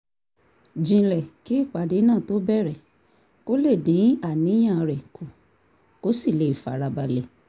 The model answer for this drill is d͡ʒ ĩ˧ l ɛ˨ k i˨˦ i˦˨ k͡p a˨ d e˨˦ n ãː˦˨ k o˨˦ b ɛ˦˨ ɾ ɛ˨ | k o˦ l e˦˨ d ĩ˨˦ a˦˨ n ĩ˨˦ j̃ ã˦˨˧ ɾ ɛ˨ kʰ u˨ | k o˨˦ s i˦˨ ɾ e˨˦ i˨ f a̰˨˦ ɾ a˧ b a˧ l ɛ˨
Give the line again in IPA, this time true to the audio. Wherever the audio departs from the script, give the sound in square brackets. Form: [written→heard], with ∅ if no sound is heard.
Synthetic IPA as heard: d͡ʒ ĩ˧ l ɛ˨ k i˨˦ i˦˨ k͡p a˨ d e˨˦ n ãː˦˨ [k→t] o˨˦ b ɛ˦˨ ɾ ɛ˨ | k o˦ l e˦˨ d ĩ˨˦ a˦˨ n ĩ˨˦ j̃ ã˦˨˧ ɾ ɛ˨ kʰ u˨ | k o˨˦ s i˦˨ [ɾ→l] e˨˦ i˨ f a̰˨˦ ɾ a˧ b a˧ l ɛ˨